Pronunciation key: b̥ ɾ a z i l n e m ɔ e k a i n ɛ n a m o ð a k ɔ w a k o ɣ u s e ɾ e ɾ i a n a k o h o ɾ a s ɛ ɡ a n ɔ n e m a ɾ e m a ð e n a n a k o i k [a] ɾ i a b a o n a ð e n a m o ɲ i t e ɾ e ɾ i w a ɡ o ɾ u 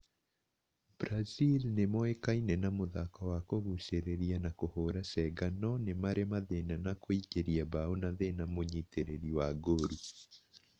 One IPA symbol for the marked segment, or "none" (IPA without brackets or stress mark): e